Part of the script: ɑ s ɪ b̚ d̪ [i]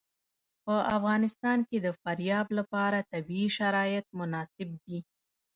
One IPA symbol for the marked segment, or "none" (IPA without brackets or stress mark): i